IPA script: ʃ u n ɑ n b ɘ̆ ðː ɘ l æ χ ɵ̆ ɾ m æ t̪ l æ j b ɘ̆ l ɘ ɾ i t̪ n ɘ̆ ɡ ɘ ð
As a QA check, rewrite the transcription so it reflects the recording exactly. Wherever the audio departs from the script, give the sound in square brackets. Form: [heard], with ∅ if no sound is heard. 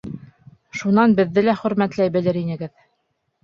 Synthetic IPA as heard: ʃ u n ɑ n b ɘ̆ ðː ɘ l æ χ ɵ̆ ɾ m æ t̪ l æ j b ɘ̆ l ɘ ɾ i [∅] n ɘ̆ ɡ ɘ ð